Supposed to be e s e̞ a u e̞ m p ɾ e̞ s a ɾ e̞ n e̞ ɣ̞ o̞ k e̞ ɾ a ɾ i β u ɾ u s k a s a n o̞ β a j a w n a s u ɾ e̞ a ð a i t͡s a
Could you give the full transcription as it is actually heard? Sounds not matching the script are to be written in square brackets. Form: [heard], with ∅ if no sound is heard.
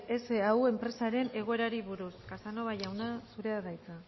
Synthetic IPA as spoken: e s e̞ a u e̞ m p ɾ e̞ s a ɾ e̞ n e̞ ɣ̞ o̞ [∅] e̞ ɾ a ɾ i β u ɾ u s k a s a n o̞ β a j a w n a s u ɾ e̞ a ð a [j] t͡s a